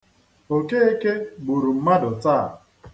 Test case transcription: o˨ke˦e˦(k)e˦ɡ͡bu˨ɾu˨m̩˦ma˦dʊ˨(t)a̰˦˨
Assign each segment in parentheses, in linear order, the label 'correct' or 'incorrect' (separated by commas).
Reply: correct, correct